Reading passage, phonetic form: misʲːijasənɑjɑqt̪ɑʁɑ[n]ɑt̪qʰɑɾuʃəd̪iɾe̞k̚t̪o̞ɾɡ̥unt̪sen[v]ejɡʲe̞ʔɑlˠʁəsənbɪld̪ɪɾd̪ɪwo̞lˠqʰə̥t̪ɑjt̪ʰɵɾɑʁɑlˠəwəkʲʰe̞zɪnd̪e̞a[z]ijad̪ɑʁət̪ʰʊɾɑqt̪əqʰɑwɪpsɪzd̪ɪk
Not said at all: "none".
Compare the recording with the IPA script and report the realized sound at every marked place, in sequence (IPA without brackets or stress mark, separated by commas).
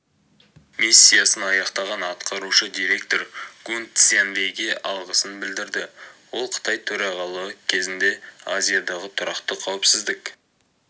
n, v, z